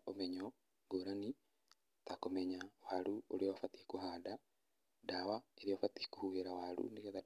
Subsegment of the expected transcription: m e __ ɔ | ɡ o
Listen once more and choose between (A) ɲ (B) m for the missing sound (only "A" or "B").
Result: A